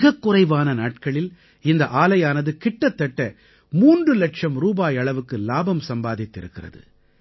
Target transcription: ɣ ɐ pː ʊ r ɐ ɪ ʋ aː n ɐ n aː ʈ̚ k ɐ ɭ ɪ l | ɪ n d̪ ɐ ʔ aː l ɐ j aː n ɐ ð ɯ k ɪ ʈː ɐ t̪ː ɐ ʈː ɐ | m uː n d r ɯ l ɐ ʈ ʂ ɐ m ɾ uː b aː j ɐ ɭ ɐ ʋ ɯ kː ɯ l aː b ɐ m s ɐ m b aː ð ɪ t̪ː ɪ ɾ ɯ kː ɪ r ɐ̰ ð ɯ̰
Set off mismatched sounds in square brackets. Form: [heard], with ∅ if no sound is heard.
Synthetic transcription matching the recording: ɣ ɐ [kː] ʊ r ɐ ɪ ʋ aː n ɐ n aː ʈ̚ k ɐ ɭ ɪ l | ɪ n d̪ ɐ ʔ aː l ɐ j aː n ɐ ð ɯ k ɪ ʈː ɐ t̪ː ɐ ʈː ɐ | m uː n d r ɯ l ɐ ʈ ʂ ɐ m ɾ uː b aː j ɐ ɭ ɐ ʋ ɯ kː ɯ l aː b ɐ m s ɐ m b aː ð ɪ t̪ː ɪ ɾ ɯ kː ɪ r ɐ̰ ð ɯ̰